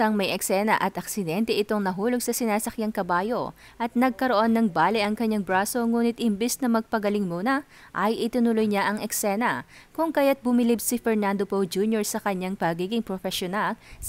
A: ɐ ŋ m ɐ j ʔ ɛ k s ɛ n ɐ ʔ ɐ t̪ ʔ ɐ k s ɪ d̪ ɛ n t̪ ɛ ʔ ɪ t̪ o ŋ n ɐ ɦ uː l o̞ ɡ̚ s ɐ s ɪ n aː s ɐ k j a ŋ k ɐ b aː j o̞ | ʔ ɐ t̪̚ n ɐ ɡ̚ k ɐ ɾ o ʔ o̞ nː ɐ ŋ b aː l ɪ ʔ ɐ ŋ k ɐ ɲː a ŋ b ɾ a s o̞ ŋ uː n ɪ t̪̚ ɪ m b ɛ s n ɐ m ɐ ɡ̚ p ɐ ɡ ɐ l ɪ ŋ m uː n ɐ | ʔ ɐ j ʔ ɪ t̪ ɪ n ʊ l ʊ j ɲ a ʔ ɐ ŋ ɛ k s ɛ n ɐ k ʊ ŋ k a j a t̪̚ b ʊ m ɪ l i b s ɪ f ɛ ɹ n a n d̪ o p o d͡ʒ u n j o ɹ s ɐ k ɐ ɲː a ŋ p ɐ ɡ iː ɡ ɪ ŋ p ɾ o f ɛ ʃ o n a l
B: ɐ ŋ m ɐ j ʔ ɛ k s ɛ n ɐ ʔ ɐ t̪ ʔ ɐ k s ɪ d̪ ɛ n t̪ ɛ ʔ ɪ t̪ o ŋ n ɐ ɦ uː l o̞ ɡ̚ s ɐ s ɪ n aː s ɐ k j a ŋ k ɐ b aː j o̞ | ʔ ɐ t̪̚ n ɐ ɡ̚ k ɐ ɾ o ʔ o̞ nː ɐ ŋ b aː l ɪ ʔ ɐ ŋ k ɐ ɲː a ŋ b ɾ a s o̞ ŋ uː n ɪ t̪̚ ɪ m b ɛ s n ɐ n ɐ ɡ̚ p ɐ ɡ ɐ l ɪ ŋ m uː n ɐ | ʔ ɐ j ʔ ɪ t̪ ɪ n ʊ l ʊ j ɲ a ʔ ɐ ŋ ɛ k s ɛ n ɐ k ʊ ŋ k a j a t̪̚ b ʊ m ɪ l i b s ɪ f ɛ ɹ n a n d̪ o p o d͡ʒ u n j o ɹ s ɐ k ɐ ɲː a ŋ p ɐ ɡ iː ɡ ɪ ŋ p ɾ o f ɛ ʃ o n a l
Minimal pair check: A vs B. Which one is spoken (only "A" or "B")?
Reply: A